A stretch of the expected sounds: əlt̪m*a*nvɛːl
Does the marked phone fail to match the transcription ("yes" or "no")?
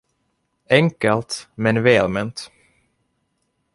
yes